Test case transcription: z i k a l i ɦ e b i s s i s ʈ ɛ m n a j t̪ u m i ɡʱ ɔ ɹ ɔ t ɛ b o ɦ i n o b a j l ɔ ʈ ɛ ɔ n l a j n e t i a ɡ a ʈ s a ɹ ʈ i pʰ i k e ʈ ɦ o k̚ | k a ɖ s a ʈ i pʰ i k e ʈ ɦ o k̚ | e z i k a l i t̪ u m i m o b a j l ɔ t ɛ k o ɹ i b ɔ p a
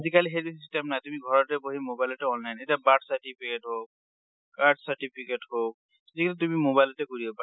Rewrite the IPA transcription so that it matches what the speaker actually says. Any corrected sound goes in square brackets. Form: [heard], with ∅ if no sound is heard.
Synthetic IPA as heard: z i k a l i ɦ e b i s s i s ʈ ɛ m n a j t̪ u m i ɡʱ ɔ ɹ ɔ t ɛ b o ɦ i [m] o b a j l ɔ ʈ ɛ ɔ n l a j n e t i a [b] a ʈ s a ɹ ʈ i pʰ i k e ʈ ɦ o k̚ | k a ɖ s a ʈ i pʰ i k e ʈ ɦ o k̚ | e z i k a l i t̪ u m i m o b a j l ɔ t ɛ k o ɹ i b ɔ p a